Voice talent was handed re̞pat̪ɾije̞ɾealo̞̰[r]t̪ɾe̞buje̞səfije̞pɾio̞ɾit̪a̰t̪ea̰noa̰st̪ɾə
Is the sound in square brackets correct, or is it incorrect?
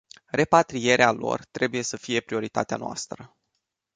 correct